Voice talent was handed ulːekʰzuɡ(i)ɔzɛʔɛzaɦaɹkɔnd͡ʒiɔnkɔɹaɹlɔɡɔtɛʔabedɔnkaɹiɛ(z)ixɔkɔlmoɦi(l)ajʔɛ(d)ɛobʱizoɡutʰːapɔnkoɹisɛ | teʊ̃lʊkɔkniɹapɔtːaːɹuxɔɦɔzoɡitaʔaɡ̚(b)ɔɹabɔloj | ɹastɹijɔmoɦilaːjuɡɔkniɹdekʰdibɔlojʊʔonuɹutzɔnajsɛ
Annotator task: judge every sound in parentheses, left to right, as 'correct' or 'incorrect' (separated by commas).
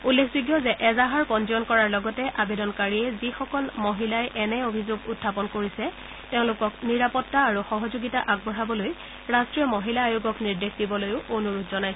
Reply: incorrect, correct, correct, incorrect, correct